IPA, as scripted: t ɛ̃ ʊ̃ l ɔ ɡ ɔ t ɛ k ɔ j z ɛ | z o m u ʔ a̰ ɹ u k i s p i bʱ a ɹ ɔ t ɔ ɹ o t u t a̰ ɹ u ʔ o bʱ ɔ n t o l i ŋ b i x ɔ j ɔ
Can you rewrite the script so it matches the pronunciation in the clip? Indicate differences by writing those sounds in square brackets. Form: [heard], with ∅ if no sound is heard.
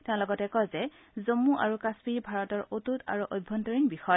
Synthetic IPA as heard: t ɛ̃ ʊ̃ l ɔ ɡ ɔ t ɛ k ɔ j z ɛ | z o m u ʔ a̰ ɹ u k [a] s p i bʱ a ɹ ɔ t ɔ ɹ o t u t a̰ ɹ u ʔ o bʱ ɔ n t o [ɹ] i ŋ b i x ɔ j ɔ